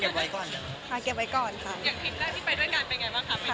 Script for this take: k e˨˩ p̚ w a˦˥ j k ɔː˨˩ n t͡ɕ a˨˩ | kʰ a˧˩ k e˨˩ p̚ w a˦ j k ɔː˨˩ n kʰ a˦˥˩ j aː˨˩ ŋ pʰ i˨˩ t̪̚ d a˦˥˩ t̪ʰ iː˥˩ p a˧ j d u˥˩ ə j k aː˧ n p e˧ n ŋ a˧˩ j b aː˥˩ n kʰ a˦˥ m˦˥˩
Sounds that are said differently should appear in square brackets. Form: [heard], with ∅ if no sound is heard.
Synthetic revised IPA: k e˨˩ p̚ w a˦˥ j k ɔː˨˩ n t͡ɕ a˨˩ | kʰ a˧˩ k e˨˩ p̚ w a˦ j k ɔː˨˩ n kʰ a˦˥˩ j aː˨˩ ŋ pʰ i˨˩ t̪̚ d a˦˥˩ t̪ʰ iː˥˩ p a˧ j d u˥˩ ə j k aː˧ n p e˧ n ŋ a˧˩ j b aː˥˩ [ŋ] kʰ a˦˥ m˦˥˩

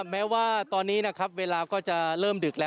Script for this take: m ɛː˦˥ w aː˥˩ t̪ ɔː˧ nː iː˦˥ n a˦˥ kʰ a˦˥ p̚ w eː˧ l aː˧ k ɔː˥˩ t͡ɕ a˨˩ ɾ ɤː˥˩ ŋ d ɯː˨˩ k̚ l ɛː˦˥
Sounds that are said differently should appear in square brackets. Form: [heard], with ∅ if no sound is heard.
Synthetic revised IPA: m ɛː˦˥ w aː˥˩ t̪ ɔː˧ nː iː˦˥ n a˦˥ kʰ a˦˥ p̚ w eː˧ l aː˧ k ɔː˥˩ t͡ɕ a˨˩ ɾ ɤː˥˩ [m] d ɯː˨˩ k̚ l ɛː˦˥

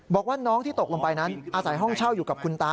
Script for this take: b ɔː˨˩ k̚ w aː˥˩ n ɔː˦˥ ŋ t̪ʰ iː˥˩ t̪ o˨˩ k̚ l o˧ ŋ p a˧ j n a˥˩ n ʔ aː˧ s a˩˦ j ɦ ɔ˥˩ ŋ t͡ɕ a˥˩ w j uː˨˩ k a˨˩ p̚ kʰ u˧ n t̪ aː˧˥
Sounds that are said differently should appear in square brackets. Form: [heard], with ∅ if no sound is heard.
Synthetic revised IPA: b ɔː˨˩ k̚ w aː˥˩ n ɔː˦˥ ŋ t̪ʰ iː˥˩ t̪ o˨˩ k̚ l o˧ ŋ p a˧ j n [a˦˥] n ʔ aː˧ s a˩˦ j ɦ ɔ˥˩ ŋ [t͡ɕʰ] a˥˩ w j uː˨˩ k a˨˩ p̚ kʰ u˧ n t̪ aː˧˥

